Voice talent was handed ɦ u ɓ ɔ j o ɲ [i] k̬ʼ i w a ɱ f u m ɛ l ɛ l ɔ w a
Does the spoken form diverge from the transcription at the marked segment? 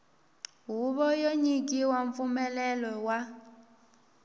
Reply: no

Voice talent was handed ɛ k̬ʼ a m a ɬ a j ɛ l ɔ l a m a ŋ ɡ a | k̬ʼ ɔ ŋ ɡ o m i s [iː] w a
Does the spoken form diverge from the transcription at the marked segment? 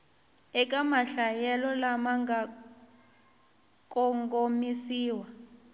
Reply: no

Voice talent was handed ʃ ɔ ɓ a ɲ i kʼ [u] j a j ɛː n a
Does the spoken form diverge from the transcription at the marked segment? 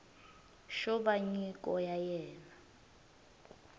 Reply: yes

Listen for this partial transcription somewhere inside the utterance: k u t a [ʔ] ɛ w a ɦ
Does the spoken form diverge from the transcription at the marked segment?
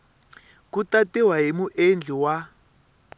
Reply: yes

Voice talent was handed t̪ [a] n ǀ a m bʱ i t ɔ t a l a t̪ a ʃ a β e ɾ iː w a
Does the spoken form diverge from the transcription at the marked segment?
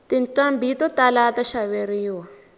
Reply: yes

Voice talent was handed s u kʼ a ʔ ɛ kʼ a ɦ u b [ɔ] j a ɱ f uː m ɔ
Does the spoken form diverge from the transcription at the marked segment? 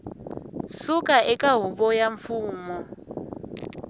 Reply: no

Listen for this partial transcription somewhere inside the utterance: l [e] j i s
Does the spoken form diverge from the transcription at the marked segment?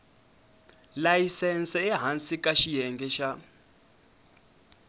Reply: yes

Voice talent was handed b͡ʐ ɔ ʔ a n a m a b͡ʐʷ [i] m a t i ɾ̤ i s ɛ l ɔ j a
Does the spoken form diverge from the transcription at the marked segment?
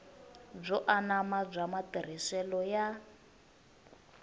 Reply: yes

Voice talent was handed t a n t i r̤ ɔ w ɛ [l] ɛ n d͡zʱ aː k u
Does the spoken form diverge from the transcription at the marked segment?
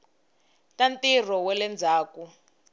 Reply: no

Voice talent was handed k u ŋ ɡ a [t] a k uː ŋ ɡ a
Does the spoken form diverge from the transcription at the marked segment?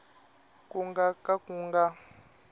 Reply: yes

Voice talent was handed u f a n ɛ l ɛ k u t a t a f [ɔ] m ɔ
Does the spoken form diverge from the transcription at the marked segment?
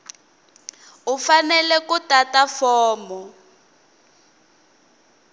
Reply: yes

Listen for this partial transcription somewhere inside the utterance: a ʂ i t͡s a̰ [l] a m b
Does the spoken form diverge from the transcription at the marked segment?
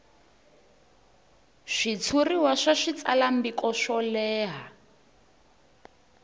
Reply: no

